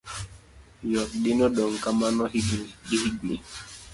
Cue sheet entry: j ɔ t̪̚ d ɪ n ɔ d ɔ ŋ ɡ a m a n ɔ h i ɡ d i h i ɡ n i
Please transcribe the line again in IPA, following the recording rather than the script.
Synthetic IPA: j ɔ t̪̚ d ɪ n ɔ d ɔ ŋ k a m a n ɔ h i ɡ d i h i ɡ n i